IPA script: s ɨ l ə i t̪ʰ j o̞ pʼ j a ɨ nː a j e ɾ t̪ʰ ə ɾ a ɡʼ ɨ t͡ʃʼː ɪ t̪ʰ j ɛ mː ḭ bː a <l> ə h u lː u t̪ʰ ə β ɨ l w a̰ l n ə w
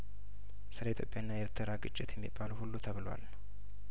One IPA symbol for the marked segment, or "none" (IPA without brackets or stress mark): l